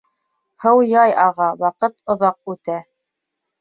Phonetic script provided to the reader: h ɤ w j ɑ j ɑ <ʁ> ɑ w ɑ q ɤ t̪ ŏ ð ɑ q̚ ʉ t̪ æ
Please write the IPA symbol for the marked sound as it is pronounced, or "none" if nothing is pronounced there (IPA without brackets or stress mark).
ʁ